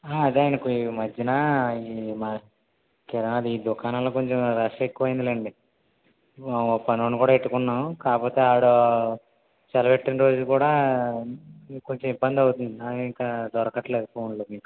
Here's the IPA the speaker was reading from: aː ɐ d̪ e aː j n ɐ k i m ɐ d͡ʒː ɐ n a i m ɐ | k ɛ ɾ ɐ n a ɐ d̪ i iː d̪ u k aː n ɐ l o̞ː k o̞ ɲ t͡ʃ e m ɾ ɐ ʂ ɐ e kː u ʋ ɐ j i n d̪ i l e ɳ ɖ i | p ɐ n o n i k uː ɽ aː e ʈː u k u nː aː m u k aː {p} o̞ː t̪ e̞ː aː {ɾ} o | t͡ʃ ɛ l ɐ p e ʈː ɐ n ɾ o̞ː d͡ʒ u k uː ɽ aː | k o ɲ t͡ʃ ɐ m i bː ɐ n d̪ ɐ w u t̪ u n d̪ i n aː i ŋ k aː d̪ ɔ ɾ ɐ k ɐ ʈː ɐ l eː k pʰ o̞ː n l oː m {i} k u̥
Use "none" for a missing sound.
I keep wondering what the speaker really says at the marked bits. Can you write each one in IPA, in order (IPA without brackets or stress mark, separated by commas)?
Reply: p, ɽ, iː